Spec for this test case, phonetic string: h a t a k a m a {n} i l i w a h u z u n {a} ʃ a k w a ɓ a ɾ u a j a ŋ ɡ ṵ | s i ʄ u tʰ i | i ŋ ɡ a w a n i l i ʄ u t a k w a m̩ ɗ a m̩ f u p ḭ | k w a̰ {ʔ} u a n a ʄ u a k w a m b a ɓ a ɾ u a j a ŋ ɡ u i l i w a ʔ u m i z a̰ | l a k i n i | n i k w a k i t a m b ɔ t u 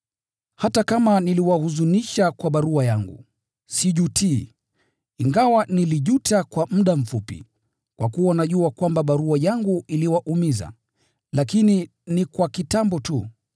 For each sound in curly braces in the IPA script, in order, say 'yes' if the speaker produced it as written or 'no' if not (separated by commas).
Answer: yes, no, no